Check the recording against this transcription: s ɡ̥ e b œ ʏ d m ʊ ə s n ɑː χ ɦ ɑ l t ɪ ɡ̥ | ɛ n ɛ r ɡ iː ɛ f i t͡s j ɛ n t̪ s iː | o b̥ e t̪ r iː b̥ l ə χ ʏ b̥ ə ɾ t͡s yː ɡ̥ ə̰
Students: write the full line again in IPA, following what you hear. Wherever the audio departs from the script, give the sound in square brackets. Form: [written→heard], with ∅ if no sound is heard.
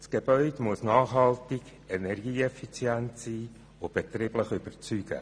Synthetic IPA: s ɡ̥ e b œ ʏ d m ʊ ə s n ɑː χ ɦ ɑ l t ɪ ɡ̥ | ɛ n ɛ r ɡ iː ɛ f i t͡s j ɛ n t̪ s iː | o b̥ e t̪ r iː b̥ l ə χ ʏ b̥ ə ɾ t͡s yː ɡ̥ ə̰